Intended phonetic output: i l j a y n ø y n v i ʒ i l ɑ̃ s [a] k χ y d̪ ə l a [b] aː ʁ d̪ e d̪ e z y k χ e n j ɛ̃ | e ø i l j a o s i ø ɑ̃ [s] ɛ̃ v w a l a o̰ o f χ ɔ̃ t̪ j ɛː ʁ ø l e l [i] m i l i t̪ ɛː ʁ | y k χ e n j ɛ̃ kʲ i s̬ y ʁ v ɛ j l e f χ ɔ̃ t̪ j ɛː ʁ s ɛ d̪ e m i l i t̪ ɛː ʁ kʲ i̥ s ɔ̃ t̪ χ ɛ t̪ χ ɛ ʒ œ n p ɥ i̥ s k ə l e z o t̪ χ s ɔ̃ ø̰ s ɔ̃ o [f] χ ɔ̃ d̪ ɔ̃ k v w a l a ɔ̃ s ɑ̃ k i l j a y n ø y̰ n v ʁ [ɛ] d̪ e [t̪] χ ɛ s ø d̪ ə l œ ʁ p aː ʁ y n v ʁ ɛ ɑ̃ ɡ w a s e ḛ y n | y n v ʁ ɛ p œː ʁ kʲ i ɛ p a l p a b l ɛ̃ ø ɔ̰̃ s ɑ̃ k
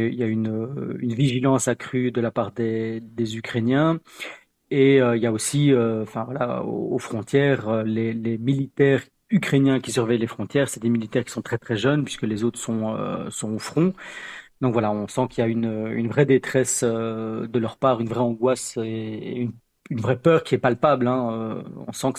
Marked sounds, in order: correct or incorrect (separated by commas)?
correct, incorrect, incorrect, incorrect, correct, correct, correct